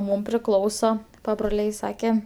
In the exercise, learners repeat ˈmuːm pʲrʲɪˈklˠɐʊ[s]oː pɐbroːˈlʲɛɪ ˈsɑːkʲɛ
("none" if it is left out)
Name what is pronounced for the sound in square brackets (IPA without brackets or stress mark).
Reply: s